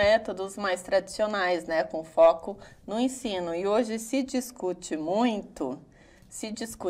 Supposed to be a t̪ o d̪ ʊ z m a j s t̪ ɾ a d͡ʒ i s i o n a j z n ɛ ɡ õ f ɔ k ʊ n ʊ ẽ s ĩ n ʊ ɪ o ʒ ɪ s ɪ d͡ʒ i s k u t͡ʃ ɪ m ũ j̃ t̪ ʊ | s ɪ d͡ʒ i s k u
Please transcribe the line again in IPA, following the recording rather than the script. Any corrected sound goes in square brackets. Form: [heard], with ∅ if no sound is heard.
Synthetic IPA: [ɛ] t̪ o d̪ ʊ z m a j s t̪ ɾ a d͡ʒ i s i o n a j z n ɛ [k] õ f ɔ k ʊ n ʊ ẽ s ĩ n ʊ ɪ o ʒ ɪ s ɪ d͡ʒ i s k u t͡ʃ ɪ m ũ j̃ t̪ ʊ | s ɪ d͡ʒ i s k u